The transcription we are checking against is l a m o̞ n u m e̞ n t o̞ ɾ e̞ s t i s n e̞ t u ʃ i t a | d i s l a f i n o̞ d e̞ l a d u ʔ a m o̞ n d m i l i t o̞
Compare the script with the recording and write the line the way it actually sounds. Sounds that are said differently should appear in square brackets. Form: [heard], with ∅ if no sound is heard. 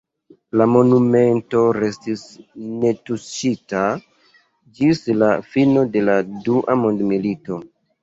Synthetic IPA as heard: l a m o̞ n u m e̞ n t o̞ ɾ e̞ s t i s n e̞ t u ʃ i t a | [d͡ʒ] i s l a f i n o̞ d e̞ l a d u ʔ a m o̞ n d m i l i t o̞